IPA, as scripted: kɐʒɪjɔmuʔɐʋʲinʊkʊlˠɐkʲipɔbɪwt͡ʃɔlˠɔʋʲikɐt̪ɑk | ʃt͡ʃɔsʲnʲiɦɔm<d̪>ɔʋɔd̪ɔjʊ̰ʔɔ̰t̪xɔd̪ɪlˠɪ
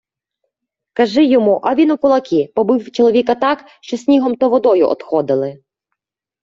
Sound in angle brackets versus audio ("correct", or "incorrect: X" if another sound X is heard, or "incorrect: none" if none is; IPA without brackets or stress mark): incorrect: t̪